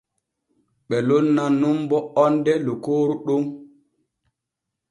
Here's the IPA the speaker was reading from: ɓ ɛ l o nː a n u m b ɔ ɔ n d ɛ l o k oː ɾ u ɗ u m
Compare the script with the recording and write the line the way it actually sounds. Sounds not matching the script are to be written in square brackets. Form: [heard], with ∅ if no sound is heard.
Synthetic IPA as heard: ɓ ɛ l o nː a n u m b ɔ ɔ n d ɛ l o k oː ɾ u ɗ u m